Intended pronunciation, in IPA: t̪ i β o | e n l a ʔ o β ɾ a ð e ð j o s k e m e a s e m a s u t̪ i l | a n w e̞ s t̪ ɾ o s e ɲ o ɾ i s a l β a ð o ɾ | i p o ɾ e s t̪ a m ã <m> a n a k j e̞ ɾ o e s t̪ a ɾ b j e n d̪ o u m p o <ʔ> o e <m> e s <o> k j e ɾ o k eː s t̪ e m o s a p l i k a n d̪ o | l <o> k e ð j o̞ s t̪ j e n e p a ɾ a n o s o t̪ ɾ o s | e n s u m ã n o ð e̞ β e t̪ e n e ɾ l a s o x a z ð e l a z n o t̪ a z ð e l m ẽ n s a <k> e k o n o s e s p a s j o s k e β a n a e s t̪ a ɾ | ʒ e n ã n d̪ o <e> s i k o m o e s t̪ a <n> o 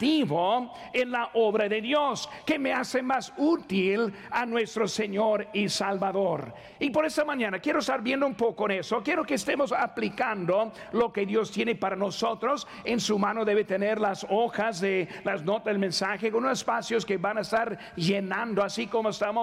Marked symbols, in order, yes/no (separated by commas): no, no, no, yes, yes, no, no, no